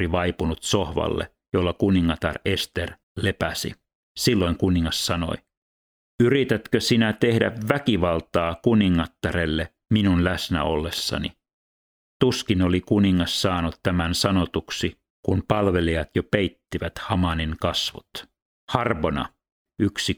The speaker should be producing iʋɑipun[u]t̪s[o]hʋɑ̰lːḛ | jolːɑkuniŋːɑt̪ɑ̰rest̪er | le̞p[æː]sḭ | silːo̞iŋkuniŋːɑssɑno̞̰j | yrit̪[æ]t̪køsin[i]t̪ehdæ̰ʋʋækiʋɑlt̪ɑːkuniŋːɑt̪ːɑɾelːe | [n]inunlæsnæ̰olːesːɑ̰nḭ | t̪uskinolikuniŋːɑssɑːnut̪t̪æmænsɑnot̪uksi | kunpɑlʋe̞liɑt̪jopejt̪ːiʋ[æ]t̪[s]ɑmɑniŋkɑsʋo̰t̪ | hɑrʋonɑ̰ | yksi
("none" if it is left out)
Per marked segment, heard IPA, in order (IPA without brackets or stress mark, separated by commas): u, o, æ, æ, æ, m, æ, h